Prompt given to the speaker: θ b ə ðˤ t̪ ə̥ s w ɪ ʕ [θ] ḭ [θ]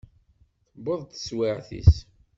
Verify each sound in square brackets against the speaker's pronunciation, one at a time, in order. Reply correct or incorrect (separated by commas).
correct, incorrect